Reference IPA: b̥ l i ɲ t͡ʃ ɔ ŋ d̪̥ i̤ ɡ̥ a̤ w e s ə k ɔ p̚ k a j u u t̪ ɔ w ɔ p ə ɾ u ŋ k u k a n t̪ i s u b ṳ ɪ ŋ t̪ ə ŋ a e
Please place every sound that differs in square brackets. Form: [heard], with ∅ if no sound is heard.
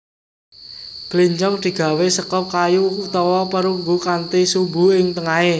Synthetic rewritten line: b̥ l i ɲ t͡ʃ ɔ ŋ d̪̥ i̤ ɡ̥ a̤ w e s ə k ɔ p̚ k a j u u t̪ ɔ w ɔ p ə ɾ u ŋ [ɡ] u k a n t̪ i s u b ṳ ɪ ŋ t̪ ə ŋ a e